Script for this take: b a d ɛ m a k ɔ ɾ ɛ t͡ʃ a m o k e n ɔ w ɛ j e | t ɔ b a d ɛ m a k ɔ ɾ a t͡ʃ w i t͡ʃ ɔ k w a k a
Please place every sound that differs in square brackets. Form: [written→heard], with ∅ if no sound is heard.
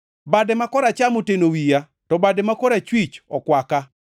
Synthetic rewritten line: b a d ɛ m a k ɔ ɾ [ɛ→a] t͡ʃ a m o [k→t] e n [ɔ→o] w [ɛ→i] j [e→a] | t ɔ b a d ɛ m a k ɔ ɾ a t͡ʃ w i t͡ʃ ɔ k w a k a